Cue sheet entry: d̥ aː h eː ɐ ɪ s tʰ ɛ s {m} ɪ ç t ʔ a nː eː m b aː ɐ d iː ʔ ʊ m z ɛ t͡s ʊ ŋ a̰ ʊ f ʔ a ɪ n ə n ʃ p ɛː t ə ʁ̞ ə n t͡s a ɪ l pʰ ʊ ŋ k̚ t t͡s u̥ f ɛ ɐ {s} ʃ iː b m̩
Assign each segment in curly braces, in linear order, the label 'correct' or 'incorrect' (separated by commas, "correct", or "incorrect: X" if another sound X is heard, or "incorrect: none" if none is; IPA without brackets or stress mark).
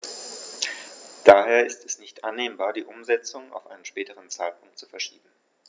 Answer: incorrect: n, incorrect: none